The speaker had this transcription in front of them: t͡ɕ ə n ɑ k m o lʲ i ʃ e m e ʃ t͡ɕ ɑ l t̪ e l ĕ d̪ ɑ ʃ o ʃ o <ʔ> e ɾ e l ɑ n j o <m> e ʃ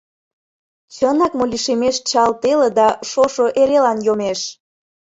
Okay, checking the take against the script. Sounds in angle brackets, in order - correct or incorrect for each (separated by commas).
correct, correct